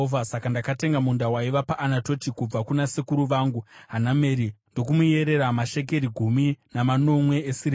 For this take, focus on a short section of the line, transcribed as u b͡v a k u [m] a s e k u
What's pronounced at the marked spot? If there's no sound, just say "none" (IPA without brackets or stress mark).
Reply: n